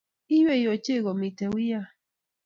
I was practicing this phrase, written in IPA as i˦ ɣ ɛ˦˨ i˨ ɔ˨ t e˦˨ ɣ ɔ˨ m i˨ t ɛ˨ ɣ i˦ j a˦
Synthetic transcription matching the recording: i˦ w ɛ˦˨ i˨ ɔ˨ t͡ʃ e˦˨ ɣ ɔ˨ m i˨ t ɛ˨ w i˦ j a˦